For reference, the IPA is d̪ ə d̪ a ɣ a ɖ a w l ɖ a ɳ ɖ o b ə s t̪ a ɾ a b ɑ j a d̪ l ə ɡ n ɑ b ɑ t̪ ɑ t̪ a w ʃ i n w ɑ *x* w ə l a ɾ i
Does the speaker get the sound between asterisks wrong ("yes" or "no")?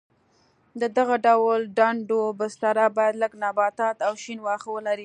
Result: no